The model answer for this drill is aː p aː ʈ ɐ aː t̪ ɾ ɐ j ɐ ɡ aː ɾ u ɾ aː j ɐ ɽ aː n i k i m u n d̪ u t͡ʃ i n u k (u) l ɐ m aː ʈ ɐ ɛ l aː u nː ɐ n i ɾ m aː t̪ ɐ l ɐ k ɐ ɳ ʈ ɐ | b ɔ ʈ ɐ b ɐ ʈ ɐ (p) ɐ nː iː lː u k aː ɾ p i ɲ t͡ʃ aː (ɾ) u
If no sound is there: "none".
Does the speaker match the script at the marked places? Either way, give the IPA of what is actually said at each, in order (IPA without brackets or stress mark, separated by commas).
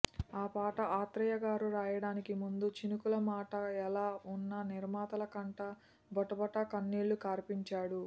u, k, ɽ